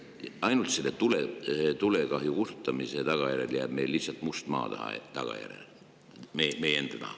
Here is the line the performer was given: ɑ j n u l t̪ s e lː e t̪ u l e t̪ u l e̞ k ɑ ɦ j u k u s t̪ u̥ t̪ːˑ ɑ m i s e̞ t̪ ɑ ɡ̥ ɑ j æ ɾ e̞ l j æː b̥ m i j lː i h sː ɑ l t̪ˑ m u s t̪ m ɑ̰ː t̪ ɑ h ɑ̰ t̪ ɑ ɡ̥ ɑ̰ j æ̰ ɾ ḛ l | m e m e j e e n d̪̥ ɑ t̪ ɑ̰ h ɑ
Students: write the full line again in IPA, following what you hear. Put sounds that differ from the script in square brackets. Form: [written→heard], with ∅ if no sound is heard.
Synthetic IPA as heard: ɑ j n u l t̪ s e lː e t̪ u l e t̪ u l e̞ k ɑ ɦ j u k u s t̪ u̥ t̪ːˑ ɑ m i s e̞ t̪ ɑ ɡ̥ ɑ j æ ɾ e̞ l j æː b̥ m [i→e] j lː i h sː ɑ l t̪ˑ m u s t̪ m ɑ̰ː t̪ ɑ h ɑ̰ t̪ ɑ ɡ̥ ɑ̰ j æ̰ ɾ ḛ l | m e m e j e e n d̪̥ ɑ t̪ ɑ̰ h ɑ